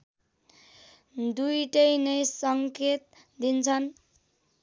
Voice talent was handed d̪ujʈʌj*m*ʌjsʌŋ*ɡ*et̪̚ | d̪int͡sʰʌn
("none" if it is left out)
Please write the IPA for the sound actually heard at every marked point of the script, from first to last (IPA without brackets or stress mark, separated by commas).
n, k